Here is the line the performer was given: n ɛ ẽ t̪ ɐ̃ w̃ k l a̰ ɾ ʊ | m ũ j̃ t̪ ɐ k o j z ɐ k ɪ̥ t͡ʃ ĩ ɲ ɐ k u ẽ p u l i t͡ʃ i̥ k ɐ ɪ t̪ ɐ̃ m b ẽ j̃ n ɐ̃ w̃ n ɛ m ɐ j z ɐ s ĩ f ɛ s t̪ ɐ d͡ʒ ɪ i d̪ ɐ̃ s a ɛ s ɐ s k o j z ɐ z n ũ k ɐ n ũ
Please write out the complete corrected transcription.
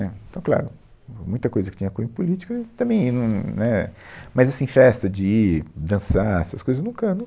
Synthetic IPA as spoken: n ɛ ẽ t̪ ɐ̃ w̃ k l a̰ ɾ ʊ | m ũ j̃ t̪ ɐ k o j z ɐ k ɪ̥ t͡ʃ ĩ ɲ ɐ k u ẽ p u l i t͡ʃ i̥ k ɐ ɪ t̪ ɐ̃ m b ẽ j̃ n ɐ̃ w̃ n ɛ m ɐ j z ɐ s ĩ f ɛ s t̪ ɐ d͡ʒ ɪ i d̪ ɐ̃ s a ɛ s ɐ s k o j z ɐ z n ũ k ɐ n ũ